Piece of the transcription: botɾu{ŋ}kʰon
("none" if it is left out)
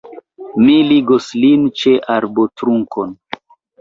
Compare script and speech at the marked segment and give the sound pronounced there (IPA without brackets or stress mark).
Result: ŋ